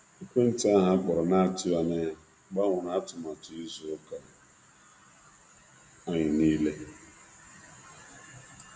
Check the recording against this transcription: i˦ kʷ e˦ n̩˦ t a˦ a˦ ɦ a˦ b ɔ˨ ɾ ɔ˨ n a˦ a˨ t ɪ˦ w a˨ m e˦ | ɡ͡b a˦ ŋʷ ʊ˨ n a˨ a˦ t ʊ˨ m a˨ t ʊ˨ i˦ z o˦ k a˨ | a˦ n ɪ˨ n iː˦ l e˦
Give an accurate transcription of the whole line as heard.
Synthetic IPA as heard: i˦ kʷ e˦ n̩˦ t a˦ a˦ ɦ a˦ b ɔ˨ ɾ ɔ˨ n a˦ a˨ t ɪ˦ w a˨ n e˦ | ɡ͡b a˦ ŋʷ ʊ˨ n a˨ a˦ t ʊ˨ m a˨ t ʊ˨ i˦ z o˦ k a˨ | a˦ ɲ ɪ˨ n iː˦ l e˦